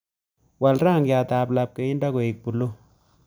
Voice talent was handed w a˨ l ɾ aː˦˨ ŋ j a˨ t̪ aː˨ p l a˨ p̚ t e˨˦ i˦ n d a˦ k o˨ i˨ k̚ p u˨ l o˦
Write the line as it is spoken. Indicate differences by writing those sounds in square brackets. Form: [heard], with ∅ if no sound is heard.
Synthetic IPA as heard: w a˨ l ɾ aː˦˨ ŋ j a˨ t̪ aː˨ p l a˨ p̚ [k] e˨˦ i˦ n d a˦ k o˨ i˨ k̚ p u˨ l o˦